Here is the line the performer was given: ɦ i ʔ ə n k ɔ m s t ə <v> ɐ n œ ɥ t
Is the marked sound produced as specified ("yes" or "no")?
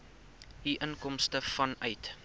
no